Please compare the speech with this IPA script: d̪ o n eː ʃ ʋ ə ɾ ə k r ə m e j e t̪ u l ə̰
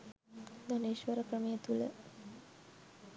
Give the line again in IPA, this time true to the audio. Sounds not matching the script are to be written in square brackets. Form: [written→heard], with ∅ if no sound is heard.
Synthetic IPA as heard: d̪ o n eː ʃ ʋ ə ɾ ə k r ə m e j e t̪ u l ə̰